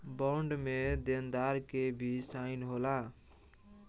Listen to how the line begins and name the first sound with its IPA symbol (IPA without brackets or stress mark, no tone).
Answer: b